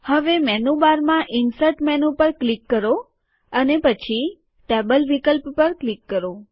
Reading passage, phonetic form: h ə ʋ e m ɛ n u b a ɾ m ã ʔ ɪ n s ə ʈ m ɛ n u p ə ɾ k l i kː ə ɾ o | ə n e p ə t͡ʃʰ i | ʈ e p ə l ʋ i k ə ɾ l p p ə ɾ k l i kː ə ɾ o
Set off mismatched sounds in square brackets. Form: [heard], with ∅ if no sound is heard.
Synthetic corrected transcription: h ə ʋ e m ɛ n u b a ɾ m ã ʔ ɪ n s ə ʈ m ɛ n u p ə ɾ k l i kː ə ɾ o | ə n e p ə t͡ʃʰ i | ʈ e [b] ə l ʋ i k ə [∅] l p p ə ɾ k l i kː ə ɾ o